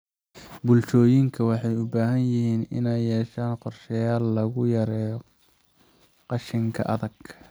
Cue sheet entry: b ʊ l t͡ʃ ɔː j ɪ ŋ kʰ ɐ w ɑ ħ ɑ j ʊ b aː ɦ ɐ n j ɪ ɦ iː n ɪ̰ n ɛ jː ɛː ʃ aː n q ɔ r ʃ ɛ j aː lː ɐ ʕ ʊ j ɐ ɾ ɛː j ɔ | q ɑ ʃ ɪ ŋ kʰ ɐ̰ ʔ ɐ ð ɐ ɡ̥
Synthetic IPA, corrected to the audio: b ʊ l t͡ʃ ɔː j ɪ ŋ kʰ ɐ w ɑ ħ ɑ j ʊ b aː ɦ ɐ n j ɪ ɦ iː n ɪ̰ n ɛ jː ɛː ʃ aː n q ɔ r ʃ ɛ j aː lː ɐ ɣ ʊ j ɐ ɾ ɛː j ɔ | q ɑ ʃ ɪ ŋ kʰ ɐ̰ ʔ ɐ ð ɐ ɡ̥